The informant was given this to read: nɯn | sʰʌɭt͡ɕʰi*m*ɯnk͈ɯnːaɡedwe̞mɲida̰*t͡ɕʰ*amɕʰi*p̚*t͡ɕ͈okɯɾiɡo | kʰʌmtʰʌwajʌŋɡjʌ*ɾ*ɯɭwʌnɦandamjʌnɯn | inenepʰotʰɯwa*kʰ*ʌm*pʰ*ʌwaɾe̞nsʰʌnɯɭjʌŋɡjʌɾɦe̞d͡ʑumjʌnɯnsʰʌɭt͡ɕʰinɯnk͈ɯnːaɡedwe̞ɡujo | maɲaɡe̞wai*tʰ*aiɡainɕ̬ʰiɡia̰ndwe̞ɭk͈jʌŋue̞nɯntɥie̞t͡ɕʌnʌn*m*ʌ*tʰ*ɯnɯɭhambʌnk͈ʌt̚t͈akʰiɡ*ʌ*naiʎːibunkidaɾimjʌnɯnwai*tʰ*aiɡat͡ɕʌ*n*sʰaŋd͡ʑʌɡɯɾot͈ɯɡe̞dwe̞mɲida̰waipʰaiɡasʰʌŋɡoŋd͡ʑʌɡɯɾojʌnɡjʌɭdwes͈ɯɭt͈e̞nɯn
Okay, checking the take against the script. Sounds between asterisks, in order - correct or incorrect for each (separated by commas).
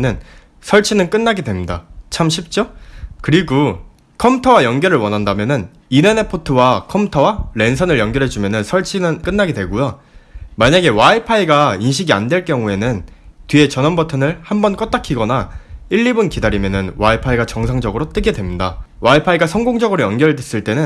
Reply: incorrect, correct, correct, correct, correct, incorrect, incorrect, incorrect, correct, correct, incorrect, incorrect